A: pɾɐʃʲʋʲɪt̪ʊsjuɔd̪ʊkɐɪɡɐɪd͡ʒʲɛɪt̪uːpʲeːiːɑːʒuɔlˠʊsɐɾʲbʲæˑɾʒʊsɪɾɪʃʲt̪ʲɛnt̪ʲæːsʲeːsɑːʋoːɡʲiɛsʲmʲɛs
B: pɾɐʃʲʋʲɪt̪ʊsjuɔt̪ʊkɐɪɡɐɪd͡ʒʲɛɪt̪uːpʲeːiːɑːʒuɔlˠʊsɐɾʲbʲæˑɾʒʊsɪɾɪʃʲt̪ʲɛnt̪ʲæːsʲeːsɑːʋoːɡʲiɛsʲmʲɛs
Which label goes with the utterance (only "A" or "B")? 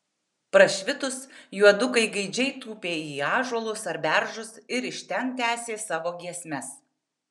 A